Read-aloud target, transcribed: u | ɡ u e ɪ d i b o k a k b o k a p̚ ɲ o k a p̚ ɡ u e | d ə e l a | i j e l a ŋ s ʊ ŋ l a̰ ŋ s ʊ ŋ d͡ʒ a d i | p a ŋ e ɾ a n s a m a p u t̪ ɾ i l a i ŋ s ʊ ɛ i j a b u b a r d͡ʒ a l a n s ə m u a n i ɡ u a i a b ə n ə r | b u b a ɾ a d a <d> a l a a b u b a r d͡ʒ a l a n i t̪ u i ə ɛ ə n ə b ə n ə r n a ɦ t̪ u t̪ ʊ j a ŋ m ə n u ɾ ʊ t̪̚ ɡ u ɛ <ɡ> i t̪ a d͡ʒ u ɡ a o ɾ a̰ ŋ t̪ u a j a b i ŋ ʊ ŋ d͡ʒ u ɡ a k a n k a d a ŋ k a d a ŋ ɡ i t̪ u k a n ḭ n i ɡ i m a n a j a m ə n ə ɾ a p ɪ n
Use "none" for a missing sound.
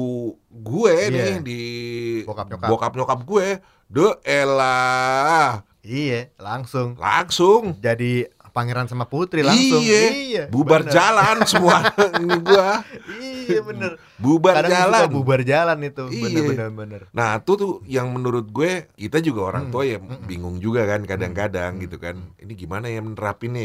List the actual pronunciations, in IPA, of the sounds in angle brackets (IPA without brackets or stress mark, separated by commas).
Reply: d͡ʒ, k